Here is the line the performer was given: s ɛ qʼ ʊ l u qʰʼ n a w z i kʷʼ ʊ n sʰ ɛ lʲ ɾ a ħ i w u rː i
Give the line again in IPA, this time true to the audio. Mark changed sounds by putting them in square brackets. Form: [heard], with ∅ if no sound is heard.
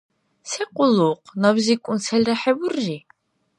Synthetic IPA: s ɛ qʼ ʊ l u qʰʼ n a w z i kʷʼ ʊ n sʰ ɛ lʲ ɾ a ħ [ɛ] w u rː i